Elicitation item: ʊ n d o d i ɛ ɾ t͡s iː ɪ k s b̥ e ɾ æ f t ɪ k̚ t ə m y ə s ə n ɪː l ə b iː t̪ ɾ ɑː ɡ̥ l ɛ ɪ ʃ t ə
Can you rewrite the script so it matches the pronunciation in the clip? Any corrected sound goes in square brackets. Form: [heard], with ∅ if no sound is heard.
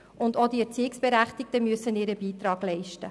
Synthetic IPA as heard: ʊ n d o d i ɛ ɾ t͡s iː ɪ k s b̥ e ɾ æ [χ] t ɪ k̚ t ə m y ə s ə n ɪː [ɾ] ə b iː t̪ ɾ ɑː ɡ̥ l ɛ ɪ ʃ t ə

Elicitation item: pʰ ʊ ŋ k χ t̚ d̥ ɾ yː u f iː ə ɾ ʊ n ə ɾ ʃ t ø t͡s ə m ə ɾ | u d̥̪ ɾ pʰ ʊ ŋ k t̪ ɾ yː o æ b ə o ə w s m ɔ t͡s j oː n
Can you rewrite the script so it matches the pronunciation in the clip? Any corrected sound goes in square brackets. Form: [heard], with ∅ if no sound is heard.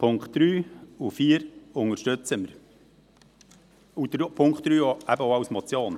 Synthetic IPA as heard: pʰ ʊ ŋ k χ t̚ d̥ ɾ yː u f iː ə ɾ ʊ [ŋ] ə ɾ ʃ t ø t͡s ə m ə ɾ | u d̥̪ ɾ pʰ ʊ ŋ k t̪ ɾ yː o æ b ə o [ɑ] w s m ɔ t͡s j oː n

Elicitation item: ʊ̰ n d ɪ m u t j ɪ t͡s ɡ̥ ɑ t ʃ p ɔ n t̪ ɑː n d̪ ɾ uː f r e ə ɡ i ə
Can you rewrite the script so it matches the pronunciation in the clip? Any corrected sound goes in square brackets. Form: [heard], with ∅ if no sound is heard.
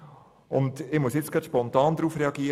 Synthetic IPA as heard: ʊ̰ n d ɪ m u [s] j ɪ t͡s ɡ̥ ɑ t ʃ p ɔ n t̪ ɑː n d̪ ɾ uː f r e [ɑ] ɡ i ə

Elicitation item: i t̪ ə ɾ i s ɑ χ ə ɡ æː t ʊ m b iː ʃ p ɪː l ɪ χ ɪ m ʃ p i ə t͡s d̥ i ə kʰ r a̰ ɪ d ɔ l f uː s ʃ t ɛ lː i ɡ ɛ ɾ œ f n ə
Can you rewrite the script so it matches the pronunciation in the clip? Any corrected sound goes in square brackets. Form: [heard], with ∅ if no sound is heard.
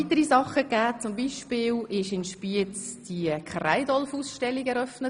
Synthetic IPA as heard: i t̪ ə ɾ i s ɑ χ ə ɡ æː [t͡s] ʊ m b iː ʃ p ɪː l ɪ [ʃ] ɪ [n] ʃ p i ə t͡s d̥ i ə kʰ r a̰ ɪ d ɔ l f uː s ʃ t ɛ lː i ɡ ɛ ɾ œ f n ə

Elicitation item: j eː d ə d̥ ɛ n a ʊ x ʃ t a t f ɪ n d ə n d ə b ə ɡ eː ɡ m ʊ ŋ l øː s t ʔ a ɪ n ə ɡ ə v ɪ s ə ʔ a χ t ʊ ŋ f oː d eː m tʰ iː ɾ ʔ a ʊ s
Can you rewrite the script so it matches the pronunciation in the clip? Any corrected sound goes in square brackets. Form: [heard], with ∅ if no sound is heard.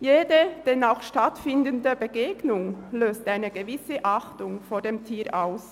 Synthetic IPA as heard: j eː d ə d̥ ɛ n a ʊ x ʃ t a t f ɪ n d ə n d ə b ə ɡ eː ɡ [n] ʊ ŋ l øː s t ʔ a ɪ n ə ɡ ə v ɪ s ə ʔ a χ t ʊ ŋ f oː d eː m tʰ iː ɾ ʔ a ʊ s

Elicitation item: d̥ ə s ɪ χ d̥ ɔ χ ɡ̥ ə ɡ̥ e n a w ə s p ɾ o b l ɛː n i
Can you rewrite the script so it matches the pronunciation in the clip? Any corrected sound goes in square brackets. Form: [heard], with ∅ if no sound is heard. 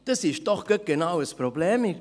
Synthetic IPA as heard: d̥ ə s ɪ [ʃ] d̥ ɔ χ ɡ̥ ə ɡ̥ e n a w ə s p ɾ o b l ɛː [m] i

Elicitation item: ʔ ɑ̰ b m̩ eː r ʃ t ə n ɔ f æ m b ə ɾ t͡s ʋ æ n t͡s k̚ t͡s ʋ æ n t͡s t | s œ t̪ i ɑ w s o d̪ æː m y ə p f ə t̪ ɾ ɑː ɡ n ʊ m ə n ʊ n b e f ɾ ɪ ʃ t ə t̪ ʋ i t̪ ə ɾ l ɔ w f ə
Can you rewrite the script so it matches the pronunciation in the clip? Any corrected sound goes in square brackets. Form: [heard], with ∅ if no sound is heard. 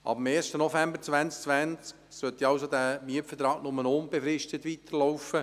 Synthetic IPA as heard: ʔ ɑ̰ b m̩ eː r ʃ t ə n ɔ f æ m b ə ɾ t͡s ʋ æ n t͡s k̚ t͡s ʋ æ n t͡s [k] | s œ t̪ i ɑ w s o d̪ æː m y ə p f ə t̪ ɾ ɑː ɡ n ʊ m ə n ʊ n b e f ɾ ɪ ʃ t ə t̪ ʋ i t̪ ə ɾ l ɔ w f ə

